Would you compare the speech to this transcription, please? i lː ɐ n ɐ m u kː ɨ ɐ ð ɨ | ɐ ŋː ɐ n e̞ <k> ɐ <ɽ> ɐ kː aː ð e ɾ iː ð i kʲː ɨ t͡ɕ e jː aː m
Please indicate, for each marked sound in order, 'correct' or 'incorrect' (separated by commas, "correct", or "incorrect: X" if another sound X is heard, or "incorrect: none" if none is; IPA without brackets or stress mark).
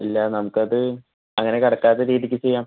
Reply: correct, correct